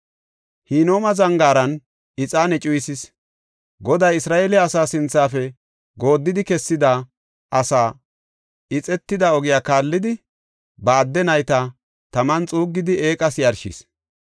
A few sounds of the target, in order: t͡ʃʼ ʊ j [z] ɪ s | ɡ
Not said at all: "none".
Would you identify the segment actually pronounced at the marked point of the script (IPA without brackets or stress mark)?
s